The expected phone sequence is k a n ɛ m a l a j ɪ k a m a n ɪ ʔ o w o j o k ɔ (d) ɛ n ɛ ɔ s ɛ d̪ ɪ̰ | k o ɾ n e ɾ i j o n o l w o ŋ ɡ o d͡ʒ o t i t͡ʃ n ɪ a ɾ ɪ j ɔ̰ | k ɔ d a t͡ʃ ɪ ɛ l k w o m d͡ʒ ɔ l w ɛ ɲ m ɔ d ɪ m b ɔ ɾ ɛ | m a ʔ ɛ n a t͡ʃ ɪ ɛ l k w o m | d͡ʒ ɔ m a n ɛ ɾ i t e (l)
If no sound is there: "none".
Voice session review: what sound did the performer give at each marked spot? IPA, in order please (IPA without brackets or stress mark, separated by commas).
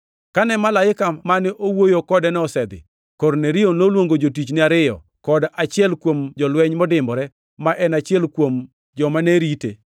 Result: d, none